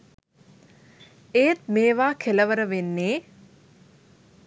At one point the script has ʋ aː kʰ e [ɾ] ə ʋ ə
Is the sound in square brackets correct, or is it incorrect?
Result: incorrect